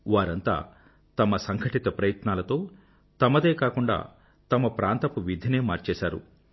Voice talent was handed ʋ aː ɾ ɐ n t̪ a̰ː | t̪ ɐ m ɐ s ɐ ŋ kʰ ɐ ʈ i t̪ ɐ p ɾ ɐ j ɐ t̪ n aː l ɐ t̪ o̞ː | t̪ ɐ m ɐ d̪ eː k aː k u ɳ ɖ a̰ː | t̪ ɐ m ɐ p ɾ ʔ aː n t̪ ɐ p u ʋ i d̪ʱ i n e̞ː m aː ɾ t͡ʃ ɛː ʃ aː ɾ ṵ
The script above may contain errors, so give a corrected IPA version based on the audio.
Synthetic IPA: ʋ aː ɾ ɐ n t̪ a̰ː | t̪ ɐ m ɐ s ɐ ŋ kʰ ɐ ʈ i t̪ ɐ p ɾ ɐ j ɐ t̪ n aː l ɐ t̪ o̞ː | t̪ ɐ m ɐ d̪ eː k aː k u ɳ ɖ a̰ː | t̪ ɐ m ɐ p ɾ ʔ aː n t̪ ɐ p u ʋ i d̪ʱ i n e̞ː m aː ɾ t͡ʃ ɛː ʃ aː ɾ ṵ

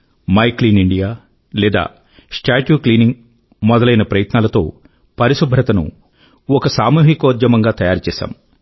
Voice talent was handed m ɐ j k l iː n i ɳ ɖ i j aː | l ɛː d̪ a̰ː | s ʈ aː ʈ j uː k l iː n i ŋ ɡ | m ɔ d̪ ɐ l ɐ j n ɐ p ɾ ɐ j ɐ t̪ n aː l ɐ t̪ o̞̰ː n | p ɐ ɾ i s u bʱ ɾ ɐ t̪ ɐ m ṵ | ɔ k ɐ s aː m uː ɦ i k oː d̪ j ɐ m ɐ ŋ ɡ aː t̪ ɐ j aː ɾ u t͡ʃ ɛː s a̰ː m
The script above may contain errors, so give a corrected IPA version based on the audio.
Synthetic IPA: m ɐ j k l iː n i ɳ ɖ i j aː | l ɛː d̪ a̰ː | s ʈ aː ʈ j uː k l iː n i ŋ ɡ | m ɔ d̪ ɐ l ɐ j n ɐ p ɾ ɐ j ɐ t̪ n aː l ɐ t̪ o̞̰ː | p ɐ ɾ i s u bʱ ɾ ɐ t̪ ɐ n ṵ | ɔ k ɐ s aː m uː ɦ i k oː d̪ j ɐ m ɐ ŋ ɡ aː t̪ ɐ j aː ɾ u t͡ʃ ɛː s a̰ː m

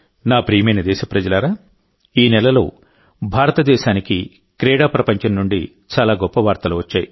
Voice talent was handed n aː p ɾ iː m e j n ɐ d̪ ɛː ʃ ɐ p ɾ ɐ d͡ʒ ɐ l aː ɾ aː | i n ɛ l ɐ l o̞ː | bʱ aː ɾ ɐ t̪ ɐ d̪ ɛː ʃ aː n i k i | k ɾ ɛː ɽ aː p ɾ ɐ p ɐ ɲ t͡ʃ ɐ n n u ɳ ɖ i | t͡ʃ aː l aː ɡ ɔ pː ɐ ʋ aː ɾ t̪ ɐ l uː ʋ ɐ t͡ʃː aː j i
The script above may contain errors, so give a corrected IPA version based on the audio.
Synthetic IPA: n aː p ɾ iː m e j n ɐ d̪ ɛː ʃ ɐ p ɾ ɐ d͡ʒ ɐ l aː ɾ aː | iː n ɛ l ɐ l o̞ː | bʱ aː ɾ ɐ t̪ ɐ d̪ ɛː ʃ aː n i k i | k ɾ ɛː ɽ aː p ɾ ɐ p ɐ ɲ t͡ʃ ɐ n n u ɳ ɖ i | t͡ʃ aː l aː ɡ ɔ pː ɐ ʋ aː ɾ t̪ ɐ l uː ʋ ɐ t͡ʃː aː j i

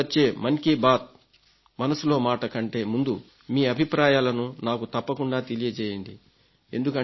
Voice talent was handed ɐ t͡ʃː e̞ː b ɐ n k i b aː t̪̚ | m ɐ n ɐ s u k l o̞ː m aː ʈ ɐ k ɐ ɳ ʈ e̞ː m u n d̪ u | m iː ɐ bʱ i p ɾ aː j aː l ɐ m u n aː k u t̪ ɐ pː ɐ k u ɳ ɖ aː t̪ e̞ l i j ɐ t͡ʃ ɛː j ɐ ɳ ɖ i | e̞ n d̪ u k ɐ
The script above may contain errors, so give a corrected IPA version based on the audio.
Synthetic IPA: ɐ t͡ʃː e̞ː m ɐ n k i b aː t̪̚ | m ɐ n ɐ s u l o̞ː m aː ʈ ɐ k ɐ ɳ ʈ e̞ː m u n d̪ u | m iː ɐ bʱ i p ɾ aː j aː l ɐ n u n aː k u t̪ ɐ pː ɐ k u ɳ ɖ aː t̪ e̞ l i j ɐ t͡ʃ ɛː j ɐ ɳ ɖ i | e̞ n d̪ u k ɐ

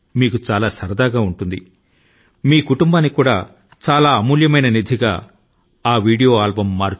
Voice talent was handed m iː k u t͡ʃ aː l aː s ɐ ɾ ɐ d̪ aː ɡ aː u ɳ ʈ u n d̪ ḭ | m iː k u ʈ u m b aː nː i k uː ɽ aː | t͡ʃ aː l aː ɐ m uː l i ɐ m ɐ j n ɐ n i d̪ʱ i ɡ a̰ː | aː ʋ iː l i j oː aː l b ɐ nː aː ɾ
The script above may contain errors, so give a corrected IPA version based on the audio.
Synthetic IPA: m iː k u t͡ʃ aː l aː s ɐ ɾ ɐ d̪ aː ɡ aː u ɳ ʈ u n d̪ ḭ | m iː k u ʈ u m b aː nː i k uː ɽ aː | t͡ʃ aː l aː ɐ m uː l j ɐ m ɐ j n ɐ n i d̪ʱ i ɡ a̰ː | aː ʋ iː ɽ i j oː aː l b ɐ mː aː ɾ

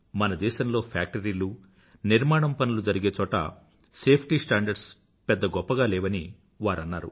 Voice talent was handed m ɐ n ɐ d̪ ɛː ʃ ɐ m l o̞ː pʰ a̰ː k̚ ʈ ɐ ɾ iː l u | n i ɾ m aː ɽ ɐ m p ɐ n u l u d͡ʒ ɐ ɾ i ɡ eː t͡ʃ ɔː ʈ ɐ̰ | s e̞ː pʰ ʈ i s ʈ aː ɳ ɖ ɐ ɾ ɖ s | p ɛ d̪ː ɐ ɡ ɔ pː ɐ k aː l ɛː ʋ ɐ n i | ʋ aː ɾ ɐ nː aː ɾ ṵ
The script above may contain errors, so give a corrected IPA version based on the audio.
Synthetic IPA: m ɐ n ɐ d̪ ɛː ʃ ɐ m l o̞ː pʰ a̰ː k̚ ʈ ɐ ɾ iː l u | n i ɾ m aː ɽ ɐ m p ɐ n u l u d͡ʒ ɐ ɾ i ɡ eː t͡ʃ ɔː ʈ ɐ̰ | s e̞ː pʰ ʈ i s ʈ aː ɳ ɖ ɐ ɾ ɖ s | p ɛ d̪ː ɐ ɡ ɔ pː ɐ ɡ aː l ɛː ʋ ɐ n i | ʋ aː ɾ ɐ nː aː ɾ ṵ

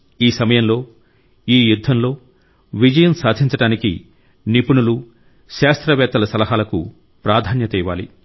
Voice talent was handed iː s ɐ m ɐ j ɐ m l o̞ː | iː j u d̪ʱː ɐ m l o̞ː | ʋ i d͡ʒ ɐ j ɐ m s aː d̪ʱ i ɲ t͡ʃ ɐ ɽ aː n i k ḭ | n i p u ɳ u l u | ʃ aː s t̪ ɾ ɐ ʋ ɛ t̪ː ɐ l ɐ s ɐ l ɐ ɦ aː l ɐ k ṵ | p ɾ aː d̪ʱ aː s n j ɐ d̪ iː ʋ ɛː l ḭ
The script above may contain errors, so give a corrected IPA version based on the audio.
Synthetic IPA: iː s ɐ m ɐ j ɐ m l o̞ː | iː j u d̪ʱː ɐ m l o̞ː | ʋ i d͡ʒ ɐ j ɐ m s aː d̪ʱ i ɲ t͡ʃ ɐ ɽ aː n i k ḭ | n i p u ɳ u l u | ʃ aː s t̪ ɾ ɐ ʋ ɛː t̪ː ɐ l ɐ s ɐ l ɐ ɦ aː l ɐ k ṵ | p ɾ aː d̪ʱ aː n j ɐ t̪ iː ʋ aː l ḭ

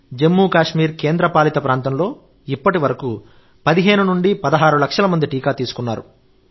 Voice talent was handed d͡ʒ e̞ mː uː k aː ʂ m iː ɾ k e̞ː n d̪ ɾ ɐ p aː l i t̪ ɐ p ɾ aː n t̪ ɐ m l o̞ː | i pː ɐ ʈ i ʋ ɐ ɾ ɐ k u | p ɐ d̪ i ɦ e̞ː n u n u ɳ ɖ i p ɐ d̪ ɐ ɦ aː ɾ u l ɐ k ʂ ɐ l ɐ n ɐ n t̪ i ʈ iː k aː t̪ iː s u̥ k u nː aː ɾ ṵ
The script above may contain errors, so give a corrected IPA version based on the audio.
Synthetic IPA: d͡ʒ e̞ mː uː k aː ʂ m iː ɾ k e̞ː n d̪ ɾ ɐ p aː l i t̪ ɐ p ɾ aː n t̪ ɐ m l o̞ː | i pː ɐ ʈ i ʋ ɐ ɾ ɐ k u | p ɐ d̪ i ɦ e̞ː n u n u ɳ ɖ i p ɐ d̪ ɐ ɦ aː ɾ u l ɐ k ʂ ɐ l ɐ m ɐ n d̪ i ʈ iː k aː t̪ iː s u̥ k u nː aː ɾ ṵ

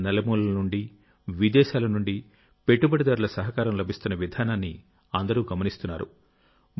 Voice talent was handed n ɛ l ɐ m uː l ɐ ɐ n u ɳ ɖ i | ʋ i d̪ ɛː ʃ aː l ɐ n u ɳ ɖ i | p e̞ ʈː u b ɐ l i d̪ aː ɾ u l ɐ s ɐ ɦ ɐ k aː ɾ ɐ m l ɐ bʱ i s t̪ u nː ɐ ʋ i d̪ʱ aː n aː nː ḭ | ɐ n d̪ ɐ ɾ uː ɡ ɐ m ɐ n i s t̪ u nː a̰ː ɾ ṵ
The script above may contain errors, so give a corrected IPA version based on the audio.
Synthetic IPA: n ɛ l ɐ m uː l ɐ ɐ n u ɳ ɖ i | ʋ i d̪ ɛː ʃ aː l ɐ n u ɳ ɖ i | p e̞ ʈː u b ɐ ɽ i d̪ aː ɾ u l ɐ s ɐ ɦ ɐ k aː ɾ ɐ m l ɐ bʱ i s t̪ u nː ɐ ʋ i d̪ʱ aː n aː nː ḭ | ɐ n d̪ ɐ ɾ uː ɡ ɐ m ɐ n i s t̪ u nː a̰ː ɾ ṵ

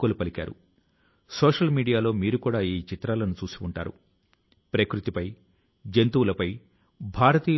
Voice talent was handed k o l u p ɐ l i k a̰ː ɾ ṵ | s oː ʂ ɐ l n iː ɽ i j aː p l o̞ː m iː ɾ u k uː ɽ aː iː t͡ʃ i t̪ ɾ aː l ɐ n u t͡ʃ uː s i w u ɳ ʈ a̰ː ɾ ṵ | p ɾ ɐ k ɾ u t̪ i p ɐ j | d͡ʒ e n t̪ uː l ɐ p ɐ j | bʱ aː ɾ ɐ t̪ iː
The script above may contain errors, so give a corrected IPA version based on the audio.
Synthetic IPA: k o l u p ɐ l i k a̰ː ɾ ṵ | s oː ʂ ɐ l m iː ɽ i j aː l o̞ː m iː ɾ u k uː ɽ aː iː t͡ʃ i t̪ ɾ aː l ɐ n u t͡ʃ uː s i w u ɳ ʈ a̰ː ɾ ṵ | p ɾ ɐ k ɾ u t̪ i p ɐ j | d͡ʒ e n t̪ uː l ɐ p ɐ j | bʱ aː ɾ ɐ t̪ iː

